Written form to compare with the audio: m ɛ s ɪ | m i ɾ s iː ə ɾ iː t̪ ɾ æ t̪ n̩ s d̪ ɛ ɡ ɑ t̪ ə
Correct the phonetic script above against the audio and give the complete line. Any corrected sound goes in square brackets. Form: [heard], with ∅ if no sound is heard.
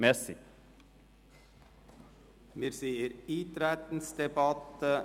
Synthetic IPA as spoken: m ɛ s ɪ | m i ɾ s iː ə ɾ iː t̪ ɾ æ t̪ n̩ s d̪ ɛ [b] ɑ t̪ ə